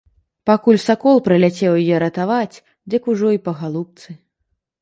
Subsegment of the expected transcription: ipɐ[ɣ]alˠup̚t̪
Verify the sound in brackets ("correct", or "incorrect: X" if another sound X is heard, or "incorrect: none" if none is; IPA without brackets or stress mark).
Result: correct